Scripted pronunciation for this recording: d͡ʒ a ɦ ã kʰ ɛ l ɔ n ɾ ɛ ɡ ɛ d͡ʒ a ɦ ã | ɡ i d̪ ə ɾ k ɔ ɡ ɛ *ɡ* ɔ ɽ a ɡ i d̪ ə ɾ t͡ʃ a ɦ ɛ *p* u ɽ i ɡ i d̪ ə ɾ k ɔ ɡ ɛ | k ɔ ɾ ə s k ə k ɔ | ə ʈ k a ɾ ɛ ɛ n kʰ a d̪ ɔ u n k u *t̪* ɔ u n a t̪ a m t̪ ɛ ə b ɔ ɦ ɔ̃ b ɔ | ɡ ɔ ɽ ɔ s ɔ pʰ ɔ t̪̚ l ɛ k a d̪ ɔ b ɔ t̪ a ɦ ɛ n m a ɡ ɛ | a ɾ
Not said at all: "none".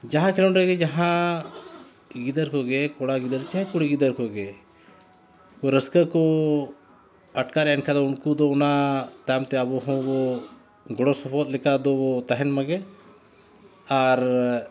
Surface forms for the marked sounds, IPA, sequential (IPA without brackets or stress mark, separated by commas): k, k, d̪